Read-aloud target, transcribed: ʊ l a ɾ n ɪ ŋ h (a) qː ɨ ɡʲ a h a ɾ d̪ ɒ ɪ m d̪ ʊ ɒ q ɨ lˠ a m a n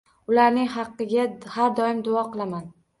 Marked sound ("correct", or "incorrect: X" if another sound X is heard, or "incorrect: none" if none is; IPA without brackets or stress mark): incorrect: ɑ